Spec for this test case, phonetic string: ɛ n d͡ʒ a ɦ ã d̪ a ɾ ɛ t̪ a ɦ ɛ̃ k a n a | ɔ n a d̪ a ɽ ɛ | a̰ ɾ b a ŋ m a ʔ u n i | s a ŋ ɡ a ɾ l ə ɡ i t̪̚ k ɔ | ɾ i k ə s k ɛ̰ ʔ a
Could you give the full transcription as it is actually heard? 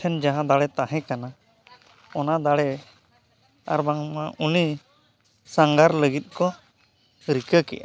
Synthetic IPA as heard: ɛ n d͡ʒ a ɦ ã d̪ a ɽ ɛ t̪ a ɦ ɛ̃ k a n a | ɔ n a d̪ a ɽ ɛ | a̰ ɾ b a ŋ m a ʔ u n i | s a ŋ ɡ a ɾ l ə ɡ i t̪̚ k ɔ | ɾ i k ə k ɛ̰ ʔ a